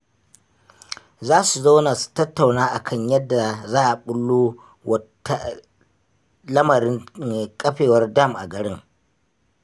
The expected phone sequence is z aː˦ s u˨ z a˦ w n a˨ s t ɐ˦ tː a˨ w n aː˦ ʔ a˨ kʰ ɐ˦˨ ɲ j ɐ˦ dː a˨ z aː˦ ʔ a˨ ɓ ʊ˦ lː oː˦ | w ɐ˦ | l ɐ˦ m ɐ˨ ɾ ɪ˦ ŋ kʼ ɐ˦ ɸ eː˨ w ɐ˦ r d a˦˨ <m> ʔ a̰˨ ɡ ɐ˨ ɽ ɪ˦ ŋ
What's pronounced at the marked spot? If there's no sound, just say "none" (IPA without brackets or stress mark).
m